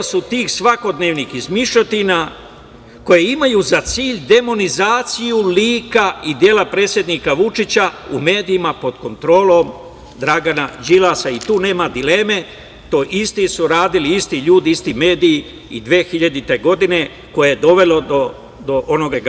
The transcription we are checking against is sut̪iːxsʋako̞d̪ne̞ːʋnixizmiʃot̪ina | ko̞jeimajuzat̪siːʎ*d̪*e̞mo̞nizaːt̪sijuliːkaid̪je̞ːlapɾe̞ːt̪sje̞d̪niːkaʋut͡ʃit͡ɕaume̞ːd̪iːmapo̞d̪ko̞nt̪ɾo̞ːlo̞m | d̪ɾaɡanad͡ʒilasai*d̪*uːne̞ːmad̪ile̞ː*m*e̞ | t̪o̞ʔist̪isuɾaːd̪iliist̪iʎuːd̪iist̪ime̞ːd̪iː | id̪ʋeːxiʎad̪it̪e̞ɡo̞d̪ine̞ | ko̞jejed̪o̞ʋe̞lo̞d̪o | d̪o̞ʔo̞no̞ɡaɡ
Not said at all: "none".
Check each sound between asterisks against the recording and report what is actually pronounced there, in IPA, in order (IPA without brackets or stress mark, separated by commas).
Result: d̪, t̪, m